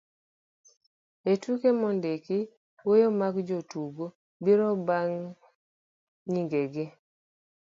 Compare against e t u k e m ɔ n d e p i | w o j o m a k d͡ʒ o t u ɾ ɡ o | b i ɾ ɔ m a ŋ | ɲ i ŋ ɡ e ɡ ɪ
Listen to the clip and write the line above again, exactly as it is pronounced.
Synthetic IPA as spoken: e t u k e m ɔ n d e k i | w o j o m a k d͡ʒ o t u ɡ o | b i ɾ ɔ b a ŋ | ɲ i ŋ ɡ e ɡ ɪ